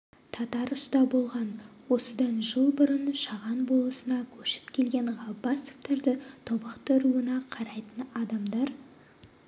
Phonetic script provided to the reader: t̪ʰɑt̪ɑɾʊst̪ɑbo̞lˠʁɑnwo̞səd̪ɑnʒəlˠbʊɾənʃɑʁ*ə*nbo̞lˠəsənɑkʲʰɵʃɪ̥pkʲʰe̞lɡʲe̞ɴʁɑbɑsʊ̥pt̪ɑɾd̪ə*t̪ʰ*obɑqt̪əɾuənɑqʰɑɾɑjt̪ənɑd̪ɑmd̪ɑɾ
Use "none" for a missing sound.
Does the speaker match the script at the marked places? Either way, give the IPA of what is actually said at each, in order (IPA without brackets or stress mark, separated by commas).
ɑ, t̪ʰ